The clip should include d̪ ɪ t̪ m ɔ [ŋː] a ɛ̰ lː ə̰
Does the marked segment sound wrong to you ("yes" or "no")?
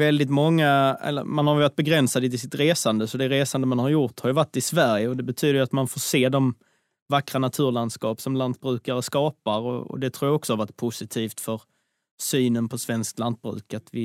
no